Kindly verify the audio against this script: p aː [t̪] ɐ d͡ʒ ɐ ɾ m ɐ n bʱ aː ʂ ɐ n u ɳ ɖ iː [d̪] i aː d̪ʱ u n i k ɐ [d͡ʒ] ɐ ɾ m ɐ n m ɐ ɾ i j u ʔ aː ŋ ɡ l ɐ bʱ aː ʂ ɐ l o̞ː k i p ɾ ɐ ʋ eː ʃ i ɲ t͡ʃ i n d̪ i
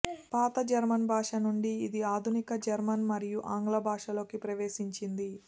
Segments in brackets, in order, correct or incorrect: correct, correct, correct

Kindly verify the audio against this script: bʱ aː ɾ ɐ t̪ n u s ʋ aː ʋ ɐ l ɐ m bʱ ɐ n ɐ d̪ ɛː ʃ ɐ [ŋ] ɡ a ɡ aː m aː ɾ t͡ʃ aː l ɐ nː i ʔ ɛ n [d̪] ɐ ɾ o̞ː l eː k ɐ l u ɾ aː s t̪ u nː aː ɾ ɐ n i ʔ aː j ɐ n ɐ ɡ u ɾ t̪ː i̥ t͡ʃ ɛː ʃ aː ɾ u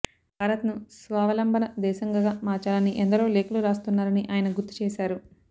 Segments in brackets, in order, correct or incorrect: correct, correct

